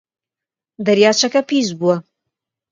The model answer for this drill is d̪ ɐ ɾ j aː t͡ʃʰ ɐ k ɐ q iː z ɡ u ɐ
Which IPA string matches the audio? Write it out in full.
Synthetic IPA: d̪ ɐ ɾ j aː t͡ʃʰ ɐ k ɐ p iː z b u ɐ